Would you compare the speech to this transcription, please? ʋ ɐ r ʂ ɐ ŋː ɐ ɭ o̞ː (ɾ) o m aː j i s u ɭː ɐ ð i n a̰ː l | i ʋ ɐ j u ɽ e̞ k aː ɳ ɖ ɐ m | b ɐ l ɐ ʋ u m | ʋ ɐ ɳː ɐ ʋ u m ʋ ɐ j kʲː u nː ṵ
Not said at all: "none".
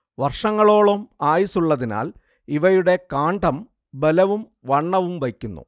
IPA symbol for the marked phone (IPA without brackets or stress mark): ɭ